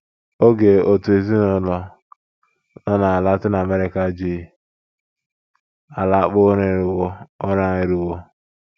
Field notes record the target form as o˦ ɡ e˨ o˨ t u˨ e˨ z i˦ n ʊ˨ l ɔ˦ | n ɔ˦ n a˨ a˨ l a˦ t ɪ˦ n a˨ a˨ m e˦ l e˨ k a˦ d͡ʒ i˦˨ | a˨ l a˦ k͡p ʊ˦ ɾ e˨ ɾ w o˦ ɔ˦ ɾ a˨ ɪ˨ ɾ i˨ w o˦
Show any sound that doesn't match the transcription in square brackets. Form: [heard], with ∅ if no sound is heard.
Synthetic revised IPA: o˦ ɡ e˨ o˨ t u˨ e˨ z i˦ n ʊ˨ l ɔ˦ | n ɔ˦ n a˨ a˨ l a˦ t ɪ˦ n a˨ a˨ m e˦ [ɾ] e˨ k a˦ d͡ʒ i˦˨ | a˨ l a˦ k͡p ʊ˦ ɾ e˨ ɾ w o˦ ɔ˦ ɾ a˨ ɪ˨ ɾ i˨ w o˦

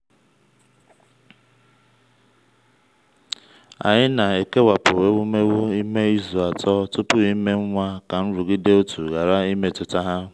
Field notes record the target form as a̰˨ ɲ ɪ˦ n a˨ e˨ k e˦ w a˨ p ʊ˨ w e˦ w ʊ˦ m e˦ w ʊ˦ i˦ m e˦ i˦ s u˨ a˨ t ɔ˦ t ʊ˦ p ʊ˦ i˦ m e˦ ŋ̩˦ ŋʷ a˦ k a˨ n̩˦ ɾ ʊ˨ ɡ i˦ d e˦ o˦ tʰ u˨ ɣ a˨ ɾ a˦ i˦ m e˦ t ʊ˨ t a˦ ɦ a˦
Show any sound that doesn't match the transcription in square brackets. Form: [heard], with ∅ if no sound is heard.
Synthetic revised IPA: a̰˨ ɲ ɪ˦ n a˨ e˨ k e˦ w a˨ p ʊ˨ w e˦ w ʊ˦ m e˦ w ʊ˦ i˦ m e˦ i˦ [z] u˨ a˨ t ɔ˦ t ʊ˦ p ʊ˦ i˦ m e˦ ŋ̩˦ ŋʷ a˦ k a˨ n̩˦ ɾ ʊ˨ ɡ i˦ d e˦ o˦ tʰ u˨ ɣ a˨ ɾ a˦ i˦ m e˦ t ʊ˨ t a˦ ɦ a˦

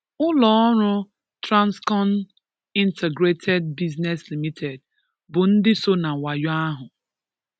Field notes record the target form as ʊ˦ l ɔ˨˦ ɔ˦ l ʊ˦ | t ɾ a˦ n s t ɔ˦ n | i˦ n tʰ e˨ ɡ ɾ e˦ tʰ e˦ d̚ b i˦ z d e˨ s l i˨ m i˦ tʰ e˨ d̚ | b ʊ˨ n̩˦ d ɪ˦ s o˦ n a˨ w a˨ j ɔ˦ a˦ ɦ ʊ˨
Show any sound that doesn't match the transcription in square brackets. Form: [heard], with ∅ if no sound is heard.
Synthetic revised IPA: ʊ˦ l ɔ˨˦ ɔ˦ [ɾ] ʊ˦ | t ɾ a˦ n s [k] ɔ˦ n | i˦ n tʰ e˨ ɡ ɾ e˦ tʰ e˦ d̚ b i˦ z [n] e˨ s l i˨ m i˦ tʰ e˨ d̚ | b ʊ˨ n̩˦ d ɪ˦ s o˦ n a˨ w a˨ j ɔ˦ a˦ ɦ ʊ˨

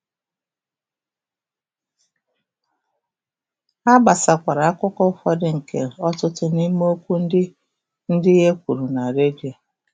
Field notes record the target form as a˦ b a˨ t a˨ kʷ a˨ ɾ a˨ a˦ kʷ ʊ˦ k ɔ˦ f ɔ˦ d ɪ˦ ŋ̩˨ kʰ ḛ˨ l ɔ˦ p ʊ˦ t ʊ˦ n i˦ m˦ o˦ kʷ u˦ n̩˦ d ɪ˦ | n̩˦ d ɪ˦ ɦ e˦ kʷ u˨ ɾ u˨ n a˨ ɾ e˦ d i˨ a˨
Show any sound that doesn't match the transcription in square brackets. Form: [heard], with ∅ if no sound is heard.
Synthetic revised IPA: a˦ b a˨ [s] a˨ kʷ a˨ ɾ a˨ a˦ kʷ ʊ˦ k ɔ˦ f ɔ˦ d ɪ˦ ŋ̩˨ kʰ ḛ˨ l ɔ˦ [t] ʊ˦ t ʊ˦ n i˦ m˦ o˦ kʷ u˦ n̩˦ d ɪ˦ | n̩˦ d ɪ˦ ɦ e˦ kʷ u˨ ɾ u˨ n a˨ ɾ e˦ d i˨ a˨

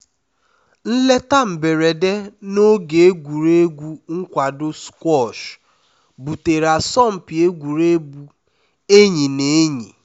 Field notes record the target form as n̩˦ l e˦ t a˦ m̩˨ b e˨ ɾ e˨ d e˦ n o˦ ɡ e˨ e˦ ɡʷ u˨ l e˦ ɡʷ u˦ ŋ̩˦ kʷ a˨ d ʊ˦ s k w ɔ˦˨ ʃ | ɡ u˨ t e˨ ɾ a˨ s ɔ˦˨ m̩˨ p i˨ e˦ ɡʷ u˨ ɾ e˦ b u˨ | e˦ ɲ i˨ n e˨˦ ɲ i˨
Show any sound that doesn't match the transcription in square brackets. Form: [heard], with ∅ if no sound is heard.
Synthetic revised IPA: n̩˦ l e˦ t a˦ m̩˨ b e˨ ɾ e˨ d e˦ n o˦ ɡ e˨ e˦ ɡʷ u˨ [ɾ] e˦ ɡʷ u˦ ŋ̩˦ kʷ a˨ d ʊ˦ s k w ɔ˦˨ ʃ | [b] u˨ t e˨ ɾ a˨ s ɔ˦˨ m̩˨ p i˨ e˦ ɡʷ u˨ ɾ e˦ b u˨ | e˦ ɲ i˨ n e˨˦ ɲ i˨

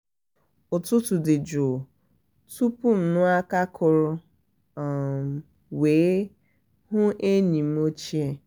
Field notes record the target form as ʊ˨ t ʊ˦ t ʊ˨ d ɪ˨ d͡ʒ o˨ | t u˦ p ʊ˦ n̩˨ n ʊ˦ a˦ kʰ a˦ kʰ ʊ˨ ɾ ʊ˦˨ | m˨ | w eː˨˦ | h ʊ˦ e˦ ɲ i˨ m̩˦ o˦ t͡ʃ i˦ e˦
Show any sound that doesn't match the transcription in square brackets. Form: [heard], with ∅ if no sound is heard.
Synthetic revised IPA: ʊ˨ t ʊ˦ t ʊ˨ d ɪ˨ d͡ʒ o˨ | t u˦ p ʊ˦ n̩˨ n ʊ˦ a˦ [k] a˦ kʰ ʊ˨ ɾ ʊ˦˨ | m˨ | w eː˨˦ | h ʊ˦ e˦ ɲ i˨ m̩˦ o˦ t͡ʃ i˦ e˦

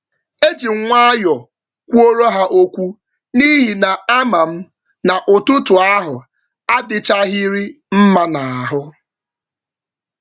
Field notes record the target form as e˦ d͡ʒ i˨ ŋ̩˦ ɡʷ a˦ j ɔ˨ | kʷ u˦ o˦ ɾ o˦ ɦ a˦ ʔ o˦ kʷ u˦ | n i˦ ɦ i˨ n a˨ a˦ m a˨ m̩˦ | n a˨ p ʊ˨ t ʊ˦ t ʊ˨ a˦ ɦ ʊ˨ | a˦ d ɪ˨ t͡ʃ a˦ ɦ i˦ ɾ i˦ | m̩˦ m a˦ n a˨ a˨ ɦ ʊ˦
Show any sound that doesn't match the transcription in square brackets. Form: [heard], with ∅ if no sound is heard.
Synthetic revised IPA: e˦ d͡ʒ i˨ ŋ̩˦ [ŋʷ] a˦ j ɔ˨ | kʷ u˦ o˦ ɾ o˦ ɦ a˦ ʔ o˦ kʷ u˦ | n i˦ ɦ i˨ n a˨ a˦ m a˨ m̩˦ | n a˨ [ʔ] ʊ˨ t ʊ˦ t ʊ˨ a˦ ɦ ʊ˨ | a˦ d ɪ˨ t͡ʃ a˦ ɦ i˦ ɾ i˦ | m̩˦ m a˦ n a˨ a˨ ɦ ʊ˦

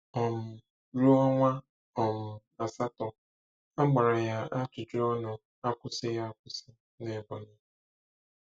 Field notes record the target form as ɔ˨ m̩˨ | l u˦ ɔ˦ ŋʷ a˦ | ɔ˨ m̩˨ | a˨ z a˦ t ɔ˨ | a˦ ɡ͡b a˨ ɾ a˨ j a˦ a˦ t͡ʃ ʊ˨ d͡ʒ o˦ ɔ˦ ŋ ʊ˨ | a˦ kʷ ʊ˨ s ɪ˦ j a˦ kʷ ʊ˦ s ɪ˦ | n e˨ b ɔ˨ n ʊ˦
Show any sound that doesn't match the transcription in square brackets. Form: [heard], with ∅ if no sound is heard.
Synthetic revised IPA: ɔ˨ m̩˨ | [ɾ] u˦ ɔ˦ ŋʷ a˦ | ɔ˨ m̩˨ | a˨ [s] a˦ t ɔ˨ | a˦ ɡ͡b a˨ ɾ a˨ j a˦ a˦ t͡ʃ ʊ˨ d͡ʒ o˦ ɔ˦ [n] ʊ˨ | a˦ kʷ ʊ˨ s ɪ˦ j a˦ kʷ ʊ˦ s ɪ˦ | n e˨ b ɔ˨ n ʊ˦

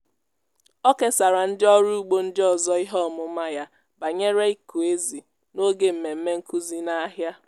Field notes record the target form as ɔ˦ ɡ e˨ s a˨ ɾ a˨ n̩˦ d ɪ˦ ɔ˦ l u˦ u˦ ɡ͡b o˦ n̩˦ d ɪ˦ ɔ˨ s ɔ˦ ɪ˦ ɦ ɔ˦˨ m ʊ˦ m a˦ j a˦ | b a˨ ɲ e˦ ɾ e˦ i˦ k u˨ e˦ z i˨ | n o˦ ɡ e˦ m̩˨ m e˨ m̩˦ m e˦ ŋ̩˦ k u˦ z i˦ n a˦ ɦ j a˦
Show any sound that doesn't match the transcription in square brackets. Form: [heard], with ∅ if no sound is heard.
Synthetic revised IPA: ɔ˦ [k] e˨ s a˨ ɾ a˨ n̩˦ d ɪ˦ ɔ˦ [ɾ] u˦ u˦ ɡ͡b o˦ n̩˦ d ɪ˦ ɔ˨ [z] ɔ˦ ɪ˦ ɦ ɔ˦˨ m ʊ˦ m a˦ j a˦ | b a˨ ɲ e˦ ɾ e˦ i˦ k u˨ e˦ z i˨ | n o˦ ɡ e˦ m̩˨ m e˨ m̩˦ m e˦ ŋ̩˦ k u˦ z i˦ n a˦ ɦ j a˦

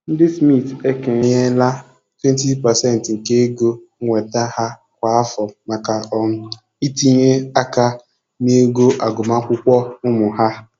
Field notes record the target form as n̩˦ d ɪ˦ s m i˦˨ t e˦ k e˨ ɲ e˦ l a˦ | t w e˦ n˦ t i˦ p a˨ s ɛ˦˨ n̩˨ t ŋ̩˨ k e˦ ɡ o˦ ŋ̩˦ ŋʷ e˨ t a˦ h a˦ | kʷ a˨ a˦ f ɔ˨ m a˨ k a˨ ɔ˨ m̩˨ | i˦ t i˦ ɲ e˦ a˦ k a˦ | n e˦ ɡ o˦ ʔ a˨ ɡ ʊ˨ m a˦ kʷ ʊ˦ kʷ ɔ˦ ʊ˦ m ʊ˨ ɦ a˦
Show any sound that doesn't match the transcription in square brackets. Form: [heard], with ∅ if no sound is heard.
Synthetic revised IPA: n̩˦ d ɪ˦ s m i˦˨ t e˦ k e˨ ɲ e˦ l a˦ | t w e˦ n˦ t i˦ p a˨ s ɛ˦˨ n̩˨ t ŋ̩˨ k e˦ ɡ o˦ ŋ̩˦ ŋʷ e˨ t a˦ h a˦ | kʷ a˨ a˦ f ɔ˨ m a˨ k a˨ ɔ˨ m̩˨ | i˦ t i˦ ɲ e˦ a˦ k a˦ | n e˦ ɡ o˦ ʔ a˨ ɡ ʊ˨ m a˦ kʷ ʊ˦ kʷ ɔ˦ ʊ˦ m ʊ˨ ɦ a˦

